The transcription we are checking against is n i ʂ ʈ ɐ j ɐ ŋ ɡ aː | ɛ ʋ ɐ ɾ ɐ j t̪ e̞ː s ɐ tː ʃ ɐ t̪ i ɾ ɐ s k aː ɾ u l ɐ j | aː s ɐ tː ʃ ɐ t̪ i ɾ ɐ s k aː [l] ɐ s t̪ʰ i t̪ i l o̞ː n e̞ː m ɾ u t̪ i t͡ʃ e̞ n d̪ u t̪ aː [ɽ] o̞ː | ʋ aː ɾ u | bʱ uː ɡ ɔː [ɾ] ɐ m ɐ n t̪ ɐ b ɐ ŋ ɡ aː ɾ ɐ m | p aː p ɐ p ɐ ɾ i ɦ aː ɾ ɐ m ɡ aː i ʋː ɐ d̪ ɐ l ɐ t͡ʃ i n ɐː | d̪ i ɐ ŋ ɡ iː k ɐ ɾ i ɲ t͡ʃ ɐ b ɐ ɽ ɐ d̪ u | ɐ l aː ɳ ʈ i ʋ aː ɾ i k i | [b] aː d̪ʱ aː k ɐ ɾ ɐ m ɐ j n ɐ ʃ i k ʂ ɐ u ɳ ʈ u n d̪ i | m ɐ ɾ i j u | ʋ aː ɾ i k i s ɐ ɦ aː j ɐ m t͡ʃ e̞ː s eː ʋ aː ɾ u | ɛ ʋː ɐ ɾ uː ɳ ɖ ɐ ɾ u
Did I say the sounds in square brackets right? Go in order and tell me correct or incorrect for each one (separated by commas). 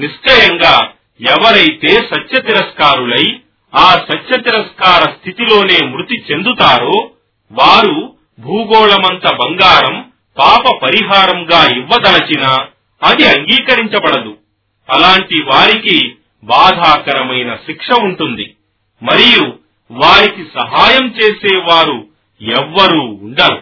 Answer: incorrect, incorrect, incorrect, correct